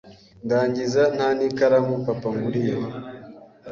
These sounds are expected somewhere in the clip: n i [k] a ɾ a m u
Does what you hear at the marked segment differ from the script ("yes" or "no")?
no